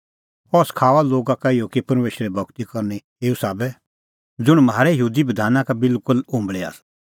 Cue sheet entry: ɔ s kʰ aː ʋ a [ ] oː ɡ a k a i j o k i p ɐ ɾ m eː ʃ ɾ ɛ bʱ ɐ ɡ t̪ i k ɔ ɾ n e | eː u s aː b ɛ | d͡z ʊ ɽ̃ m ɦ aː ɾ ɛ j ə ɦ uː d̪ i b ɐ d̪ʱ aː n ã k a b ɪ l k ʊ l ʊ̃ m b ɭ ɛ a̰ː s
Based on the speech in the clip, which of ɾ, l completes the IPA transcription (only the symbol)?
l